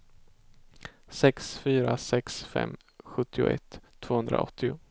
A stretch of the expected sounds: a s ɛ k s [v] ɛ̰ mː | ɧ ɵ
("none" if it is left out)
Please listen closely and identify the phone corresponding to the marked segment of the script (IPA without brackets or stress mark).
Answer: f